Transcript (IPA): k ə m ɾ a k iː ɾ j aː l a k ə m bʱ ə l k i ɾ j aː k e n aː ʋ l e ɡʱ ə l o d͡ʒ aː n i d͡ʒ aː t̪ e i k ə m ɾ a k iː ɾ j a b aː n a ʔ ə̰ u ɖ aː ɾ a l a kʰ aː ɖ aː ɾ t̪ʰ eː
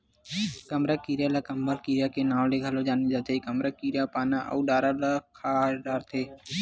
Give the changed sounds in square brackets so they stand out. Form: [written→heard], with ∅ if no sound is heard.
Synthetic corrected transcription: k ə m ɾ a k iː ɾ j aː l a k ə m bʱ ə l k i ɾ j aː k e n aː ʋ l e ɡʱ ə l o d͡ʒ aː n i d͡ʒ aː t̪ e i k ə m ɾ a k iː ɾ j a [b→p] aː n a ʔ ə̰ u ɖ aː ɾ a l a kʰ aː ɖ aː ɾ t̪ʰ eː